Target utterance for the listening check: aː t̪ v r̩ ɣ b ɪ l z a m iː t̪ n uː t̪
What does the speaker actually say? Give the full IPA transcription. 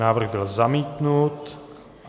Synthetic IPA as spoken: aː v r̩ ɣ b ɪ l z a m iː t̪ n u t̪